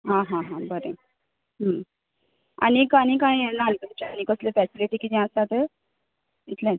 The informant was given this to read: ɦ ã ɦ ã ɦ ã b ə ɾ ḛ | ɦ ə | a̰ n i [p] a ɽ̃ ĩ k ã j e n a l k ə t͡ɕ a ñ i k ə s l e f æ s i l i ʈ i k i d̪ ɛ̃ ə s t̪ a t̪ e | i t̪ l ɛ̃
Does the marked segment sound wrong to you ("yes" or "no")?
yes